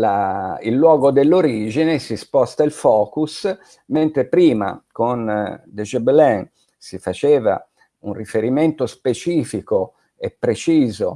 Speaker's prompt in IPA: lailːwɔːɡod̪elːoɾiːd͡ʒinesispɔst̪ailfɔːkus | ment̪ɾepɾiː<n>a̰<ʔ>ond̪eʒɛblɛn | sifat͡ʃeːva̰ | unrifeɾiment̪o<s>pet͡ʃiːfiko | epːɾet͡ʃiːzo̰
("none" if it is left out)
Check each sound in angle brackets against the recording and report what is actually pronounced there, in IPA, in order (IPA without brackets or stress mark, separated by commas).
m, k, s